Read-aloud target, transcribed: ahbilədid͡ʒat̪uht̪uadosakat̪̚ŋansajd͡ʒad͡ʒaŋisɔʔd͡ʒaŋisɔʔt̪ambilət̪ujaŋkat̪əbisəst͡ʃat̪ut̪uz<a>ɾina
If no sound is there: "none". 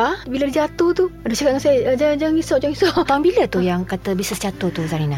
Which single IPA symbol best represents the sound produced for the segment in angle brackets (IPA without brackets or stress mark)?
a